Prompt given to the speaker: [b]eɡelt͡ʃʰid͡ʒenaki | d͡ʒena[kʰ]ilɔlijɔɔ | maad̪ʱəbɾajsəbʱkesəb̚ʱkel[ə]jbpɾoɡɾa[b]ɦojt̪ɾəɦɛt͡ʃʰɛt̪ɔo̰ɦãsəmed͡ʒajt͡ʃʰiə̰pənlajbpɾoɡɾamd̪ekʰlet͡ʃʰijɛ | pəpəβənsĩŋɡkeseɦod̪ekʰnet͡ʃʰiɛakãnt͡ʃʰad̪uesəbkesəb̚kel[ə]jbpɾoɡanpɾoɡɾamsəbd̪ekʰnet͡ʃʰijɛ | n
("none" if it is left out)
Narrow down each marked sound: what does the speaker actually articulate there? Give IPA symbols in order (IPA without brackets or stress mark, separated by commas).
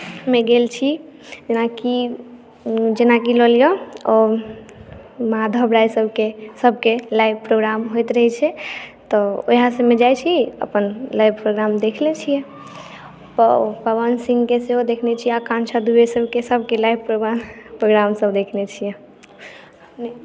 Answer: m, k, a, m, a